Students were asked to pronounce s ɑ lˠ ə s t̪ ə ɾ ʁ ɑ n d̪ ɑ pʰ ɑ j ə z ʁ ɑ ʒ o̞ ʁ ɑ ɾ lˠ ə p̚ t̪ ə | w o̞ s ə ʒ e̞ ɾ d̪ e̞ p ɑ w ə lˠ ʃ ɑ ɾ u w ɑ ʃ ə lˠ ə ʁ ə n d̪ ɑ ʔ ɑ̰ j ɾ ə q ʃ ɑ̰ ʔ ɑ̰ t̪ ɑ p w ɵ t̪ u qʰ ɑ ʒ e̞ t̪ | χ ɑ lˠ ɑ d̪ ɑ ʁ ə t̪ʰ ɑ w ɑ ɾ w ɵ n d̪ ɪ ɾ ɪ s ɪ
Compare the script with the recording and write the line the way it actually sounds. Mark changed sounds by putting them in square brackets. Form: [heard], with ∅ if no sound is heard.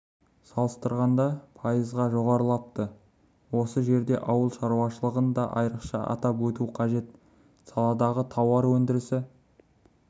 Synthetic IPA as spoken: s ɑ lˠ ə s t̪ ə ɾ ʁ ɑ n d̪ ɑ pʰ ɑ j ə z ʁ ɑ ʒ o̞ ʁ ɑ ɾ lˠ [ɑ] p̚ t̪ ə | w o̞ s ə ʒ e̞ ɾ d̪ e̞ [ʔ] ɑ w ə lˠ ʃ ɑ ɾ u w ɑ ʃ ə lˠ ə ʁ ə n d̪ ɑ ʔ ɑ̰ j ɾ ə q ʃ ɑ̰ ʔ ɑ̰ t̪ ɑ p w ɵ t̪ u qʰ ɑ ʒ e̞ t̪ | [s] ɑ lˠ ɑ d̪ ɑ ʁ ə t̪ʰ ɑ w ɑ ɾ w ɵ n d̪ ɪ ɾ ɪ s ɪ

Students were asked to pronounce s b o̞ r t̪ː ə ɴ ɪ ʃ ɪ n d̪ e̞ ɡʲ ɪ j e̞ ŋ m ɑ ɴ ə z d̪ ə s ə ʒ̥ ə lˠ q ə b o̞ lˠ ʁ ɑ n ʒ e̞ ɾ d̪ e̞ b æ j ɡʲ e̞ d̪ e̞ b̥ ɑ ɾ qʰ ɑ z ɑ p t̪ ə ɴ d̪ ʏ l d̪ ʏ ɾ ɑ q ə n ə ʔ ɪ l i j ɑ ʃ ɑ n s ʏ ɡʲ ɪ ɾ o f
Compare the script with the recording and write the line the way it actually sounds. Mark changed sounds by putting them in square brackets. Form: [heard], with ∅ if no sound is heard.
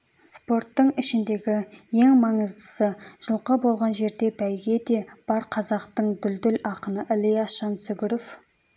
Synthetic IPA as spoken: s [p] o̞ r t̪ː ə ɴ ɪ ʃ ɪ n d̪ e̞ ɡʲ ɪ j e̞ ŋ m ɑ ɴ ə z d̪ ə s ə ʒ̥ ə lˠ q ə b o̞ lˠ ʁ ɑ n ʒ e̞ ɾ d̪ e̞ b æ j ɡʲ e̞ d̪ e̞ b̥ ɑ ɾ qʰ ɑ z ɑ [q] t̪ ə ɴ d̪ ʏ l d̪ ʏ [l] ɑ q ə n ə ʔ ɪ l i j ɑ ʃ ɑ n s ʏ ɡʲ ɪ ɾ o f

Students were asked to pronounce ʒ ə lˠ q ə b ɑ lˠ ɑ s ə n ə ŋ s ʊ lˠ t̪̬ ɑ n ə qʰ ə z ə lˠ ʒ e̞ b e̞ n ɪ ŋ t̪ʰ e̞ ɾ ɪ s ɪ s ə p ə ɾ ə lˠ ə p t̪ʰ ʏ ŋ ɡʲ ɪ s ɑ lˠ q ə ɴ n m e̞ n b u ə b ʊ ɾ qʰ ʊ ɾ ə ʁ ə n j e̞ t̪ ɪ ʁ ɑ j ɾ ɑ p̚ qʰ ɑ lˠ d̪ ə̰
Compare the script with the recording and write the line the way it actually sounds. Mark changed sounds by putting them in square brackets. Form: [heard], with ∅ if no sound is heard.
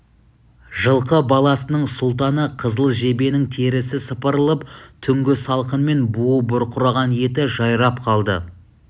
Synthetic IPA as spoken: ʒ ə lˠ q ə b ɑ lˠ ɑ s ə n ə [ɴ] s ʊ lˠ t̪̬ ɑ n ə qʰ ə z ə lˠ ʒ e̞ b e̞ n ɪ ŋ t̪ʰ e̞ ɾ ɪ s ɪ s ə p ə ɾ ə lˠ ə p t̪ʰ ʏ ŋ ɡʲ ɪ s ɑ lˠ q ə [∅] n m e̞ n b u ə b ʊ ɾ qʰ ʊ ɾ [ɑ] ʁ [ɑ] n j e̞ t̪ ɪ [ʒ] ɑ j ɾ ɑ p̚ qʰ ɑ lˠ d̪ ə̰

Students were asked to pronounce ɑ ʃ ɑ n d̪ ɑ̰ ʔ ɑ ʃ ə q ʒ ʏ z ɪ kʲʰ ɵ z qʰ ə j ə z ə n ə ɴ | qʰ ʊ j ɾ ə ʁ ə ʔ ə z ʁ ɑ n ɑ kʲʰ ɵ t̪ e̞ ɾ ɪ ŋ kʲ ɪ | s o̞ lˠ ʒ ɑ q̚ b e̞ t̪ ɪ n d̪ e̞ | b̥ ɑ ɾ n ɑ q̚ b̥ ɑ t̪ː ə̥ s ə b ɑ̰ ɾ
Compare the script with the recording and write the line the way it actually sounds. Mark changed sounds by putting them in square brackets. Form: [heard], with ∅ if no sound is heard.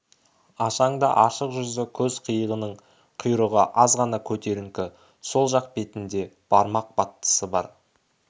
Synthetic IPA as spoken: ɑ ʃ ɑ [ɴ] d̪ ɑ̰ ʔ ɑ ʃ ə q ʒ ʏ z ɪ kʲʰ ɵ z qʰ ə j ə [ʁ] ə n ə ɴ | qʰ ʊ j ɾ ə ʁ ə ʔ [ɑ] z ʁ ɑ n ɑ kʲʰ ɵ t̪ e̞ ɾ ɪ ŋ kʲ ɪ | s o̞ lˠ ʒ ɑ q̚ b e̞ t̪ ɪ n d̪ e̞ | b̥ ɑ ɾ [m] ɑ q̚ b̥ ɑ t̪ː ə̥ s ə b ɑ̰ ɾ

